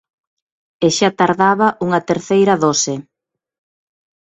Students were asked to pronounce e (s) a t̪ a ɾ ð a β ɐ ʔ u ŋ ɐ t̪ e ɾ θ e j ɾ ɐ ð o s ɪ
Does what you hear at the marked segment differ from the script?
yes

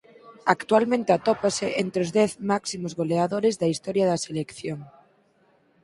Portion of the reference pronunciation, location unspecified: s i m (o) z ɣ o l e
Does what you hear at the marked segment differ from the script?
no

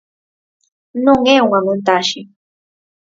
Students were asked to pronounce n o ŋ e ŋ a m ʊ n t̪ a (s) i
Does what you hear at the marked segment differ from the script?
yes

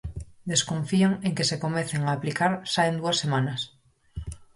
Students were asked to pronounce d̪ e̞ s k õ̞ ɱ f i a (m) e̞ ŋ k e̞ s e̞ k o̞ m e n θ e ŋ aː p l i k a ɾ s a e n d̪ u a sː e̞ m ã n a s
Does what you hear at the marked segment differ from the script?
yes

